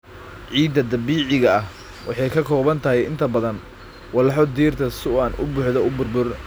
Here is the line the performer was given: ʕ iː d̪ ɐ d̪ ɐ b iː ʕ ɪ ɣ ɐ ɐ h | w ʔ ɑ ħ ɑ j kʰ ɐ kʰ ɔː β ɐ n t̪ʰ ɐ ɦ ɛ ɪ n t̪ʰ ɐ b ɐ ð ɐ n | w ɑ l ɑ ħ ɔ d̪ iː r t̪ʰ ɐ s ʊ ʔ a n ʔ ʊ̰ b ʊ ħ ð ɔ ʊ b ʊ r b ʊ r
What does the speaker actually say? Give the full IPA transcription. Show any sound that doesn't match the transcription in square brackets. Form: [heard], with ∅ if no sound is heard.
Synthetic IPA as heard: ʕ iː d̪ ɐ d̪ ɐ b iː ʕ ɪ ɣ ɐ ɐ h | w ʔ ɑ ħ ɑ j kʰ ɐ kʰ ɔː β ɐ n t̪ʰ ɐ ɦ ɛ ɪ n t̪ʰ ɐ b ɐ ð ɐ n | w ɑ l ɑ ħ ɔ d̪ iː r t̪ʰ ɐ s ʊ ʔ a n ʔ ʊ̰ b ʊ ħ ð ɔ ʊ b ʊ r b ʊ r